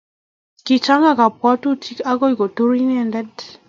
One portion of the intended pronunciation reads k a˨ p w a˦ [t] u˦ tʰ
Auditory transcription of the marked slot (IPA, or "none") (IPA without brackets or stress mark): t